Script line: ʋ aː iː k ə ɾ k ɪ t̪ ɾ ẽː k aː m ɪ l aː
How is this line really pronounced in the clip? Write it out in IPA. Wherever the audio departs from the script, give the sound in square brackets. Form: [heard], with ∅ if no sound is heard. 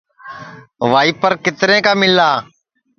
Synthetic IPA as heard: ʋ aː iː [p] ə ɾ k ɪ t̪ ɾ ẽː k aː m ɪ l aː